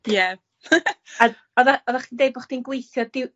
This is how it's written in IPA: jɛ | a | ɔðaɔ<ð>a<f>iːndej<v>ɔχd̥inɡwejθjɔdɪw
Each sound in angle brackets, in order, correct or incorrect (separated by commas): correct, incorrect, incorrect